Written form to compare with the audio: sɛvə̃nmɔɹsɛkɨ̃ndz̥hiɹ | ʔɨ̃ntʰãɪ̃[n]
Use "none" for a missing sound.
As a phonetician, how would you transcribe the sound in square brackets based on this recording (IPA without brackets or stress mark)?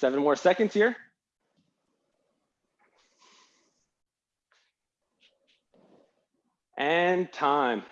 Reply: m